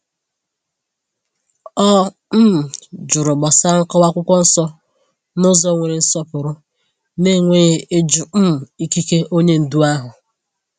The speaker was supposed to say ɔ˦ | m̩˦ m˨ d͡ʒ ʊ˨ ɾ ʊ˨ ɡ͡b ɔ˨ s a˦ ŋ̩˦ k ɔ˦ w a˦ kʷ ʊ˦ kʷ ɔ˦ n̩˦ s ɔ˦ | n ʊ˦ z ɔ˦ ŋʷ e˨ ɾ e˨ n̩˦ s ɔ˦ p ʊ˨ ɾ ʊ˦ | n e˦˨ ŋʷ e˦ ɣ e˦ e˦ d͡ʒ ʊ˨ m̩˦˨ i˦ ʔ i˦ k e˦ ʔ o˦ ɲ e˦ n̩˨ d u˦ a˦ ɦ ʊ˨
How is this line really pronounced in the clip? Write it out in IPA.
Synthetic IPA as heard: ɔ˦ | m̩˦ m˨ d͡ʒ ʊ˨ ɾ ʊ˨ ɡ͡b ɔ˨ s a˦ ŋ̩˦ k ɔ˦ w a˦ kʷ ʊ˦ kʷ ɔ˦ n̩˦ s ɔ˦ | n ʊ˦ z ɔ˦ ŋʷ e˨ ɾ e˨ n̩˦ s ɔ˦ p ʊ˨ ɾ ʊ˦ | n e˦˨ ŋʷ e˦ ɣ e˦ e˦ d͡ʒ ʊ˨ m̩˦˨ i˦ k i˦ k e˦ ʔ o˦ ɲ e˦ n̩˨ d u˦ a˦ ɦ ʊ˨